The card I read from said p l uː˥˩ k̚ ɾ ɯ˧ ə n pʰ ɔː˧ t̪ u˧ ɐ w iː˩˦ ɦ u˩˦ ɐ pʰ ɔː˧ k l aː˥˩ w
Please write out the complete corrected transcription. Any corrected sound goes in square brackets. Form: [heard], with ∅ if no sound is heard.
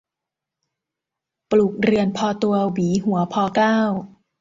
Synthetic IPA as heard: p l [uː˨˩] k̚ ɾ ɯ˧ ə n pʰ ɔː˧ t̪ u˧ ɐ w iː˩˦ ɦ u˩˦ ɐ pʰ ɔː˧ k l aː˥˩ w